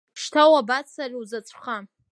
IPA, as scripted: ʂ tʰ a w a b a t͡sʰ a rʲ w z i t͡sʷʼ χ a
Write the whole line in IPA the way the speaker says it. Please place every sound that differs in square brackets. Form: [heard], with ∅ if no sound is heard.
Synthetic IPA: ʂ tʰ a w a b a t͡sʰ a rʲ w z [a] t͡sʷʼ χ a